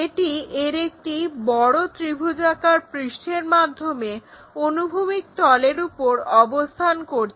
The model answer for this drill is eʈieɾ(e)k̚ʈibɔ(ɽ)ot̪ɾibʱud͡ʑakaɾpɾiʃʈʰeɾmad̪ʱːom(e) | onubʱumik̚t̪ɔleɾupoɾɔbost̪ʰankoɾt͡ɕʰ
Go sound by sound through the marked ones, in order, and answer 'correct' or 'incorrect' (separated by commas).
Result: correct, correct, correct